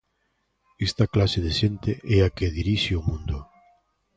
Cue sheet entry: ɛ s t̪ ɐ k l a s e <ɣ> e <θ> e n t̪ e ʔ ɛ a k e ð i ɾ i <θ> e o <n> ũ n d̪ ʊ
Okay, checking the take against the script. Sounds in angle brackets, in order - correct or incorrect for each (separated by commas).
incorrect, incorrect, incorrect, incorrect